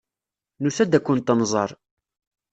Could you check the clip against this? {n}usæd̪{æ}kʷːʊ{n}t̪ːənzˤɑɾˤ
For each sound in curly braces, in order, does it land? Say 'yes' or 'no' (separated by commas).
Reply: yes, yes, yes